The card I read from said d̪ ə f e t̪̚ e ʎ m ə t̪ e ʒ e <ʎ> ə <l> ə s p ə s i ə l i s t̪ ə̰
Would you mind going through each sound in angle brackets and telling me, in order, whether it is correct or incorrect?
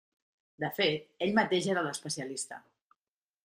incorrect: ɾ, correct

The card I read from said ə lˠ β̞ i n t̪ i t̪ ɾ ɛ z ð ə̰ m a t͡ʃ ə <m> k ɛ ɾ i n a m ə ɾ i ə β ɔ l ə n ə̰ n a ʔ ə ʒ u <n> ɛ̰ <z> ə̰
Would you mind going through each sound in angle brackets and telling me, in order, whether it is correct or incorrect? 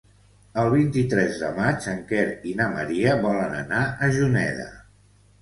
incorrect: ŋ, correct, incorrect: ð

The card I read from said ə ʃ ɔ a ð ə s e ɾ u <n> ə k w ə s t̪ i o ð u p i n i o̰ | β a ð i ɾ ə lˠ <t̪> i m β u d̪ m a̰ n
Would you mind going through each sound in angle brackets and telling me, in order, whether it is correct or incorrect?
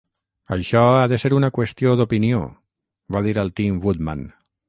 correct, correct

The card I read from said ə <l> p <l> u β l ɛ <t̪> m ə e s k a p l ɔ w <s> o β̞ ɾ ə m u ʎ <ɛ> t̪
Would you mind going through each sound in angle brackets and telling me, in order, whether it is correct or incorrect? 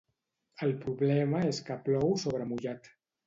correct, incorrect: ɾ, incorrect: none, correct, incorrect: a

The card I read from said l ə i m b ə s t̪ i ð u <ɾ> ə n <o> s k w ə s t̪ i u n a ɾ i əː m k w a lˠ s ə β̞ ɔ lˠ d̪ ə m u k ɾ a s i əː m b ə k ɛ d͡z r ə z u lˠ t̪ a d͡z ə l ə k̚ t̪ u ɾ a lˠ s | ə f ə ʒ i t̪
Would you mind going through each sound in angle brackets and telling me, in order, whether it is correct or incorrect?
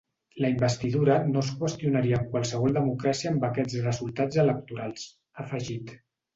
correct, correct

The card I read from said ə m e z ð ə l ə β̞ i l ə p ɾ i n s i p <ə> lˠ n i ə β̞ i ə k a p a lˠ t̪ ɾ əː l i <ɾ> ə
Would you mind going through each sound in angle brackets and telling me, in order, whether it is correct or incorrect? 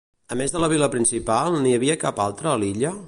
incorrect: a, incorrect: ʎ

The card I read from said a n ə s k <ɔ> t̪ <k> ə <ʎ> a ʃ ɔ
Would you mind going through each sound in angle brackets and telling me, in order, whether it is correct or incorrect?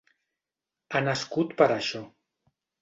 incorrect: u, incorrect: p, incorrect: ɾ

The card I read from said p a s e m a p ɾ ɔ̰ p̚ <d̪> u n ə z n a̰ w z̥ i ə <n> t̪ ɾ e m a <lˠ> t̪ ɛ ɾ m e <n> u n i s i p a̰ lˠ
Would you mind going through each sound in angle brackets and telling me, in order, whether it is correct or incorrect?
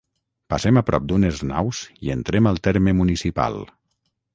correct, correct, correct, incorrect: m

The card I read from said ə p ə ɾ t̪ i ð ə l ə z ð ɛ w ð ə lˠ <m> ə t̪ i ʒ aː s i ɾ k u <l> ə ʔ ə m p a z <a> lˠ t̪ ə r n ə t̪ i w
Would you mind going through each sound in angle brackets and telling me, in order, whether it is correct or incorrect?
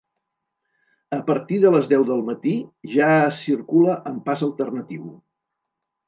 correct, correct, incorrect: ə

